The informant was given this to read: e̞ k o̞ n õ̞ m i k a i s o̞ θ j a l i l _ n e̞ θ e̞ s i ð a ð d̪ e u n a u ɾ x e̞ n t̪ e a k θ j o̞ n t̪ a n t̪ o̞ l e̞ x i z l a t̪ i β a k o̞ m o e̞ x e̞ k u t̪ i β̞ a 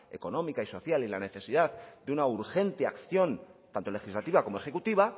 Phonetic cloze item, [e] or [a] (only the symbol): a